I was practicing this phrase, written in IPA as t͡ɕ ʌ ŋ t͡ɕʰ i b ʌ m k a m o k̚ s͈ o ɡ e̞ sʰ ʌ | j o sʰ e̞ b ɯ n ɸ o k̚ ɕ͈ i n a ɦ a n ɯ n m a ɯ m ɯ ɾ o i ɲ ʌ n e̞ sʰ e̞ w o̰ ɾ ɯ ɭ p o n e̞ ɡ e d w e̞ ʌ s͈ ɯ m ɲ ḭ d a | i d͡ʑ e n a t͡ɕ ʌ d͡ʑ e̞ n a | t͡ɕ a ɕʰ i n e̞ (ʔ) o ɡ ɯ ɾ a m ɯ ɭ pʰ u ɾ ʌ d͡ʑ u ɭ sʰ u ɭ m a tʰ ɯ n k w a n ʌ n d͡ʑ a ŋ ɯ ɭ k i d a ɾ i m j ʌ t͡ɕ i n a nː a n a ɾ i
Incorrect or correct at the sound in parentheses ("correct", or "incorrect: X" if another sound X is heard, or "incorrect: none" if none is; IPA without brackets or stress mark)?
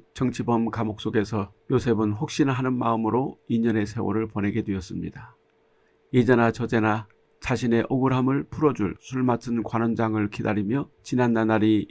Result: correct